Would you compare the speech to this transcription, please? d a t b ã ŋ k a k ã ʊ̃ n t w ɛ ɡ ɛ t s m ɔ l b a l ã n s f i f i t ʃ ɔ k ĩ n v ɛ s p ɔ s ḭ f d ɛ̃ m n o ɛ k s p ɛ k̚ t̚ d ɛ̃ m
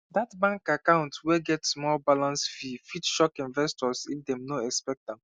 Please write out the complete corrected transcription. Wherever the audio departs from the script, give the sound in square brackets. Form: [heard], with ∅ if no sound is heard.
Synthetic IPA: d a t b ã ŋ k a k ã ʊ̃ n t w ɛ ɡ ɛ t s m ɔ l b a l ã n s f i f i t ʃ ɔ k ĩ n v ɛ s [t] ɔ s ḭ f d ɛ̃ m n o ɛ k s p ɛ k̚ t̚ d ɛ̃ m